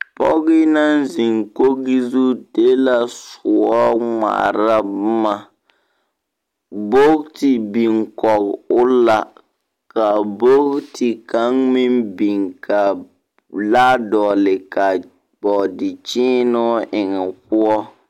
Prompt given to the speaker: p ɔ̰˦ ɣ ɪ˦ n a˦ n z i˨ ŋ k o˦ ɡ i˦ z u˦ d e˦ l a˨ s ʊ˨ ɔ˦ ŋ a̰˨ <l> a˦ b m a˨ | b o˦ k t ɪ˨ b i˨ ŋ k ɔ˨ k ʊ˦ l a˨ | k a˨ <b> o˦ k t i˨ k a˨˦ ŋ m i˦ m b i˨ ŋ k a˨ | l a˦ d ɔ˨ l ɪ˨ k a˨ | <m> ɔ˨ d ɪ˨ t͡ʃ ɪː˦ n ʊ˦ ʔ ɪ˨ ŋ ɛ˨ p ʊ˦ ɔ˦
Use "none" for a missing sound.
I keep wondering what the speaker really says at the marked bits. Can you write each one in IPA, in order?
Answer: ɾ, b, b

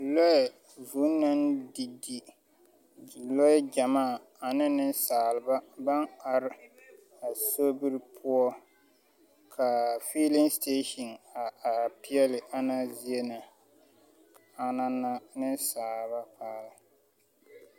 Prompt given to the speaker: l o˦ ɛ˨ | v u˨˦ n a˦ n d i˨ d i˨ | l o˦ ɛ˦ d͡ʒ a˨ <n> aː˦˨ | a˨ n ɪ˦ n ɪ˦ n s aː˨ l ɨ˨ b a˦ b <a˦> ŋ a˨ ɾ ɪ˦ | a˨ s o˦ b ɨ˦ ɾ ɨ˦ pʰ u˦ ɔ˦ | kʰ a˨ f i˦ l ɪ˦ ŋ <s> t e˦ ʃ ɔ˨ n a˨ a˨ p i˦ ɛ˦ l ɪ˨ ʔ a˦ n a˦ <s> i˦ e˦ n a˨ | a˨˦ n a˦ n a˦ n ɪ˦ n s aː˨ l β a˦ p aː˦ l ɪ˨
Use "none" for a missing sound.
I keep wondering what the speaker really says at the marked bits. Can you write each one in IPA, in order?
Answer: m, a˦, s, z

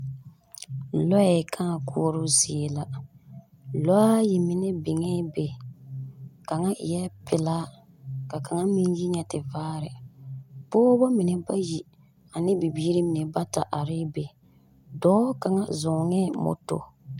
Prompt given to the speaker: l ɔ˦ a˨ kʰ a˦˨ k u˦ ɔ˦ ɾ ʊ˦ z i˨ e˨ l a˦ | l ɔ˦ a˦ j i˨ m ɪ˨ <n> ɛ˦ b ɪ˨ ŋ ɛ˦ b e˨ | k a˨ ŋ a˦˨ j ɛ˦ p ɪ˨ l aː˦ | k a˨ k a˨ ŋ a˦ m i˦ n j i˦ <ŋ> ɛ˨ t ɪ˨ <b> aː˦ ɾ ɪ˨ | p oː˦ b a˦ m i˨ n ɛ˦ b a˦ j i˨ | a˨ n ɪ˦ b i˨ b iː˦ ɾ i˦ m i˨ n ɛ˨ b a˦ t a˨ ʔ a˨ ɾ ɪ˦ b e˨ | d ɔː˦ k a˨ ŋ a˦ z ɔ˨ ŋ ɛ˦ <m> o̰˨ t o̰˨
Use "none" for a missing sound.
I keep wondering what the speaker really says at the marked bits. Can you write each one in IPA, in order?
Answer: n, ɲ, v, m

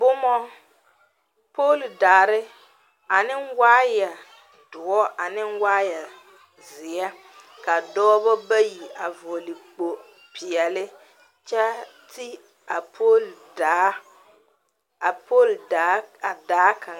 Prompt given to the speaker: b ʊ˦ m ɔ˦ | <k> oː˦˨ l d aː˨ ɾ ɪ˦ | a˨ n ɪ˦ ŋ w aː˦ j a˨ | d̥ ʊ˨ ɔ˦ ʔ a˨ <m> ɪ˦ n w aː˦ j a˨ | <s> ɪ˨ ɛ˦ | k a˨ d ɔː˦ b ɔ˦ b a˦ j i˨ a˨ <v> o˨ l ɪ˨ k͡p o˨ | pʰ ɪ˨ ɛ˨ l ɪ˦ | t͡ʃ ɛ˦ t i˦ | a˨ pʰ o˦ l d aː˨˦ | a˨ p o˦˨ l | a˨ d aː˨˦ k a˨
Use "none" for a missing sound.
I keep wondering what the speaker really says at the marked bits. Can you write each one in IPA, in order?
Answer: p, n, z, v

